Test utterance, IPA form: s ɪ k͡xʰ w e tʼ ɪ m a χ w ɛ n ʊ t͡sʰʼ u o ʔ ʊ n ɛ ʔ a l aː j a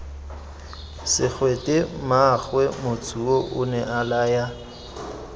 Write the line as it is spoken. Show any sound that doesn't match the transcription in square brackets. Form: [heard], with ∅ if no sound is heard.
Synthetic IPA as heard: s ɪ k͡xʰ w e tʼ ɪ m a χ w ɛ [m] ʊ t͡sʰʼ u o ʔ ʊ n ɛ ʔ a l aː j a